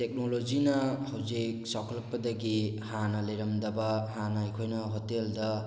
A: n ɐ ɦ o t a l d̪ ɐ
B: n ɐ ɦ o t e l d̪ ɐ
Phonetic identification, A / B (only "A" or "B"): B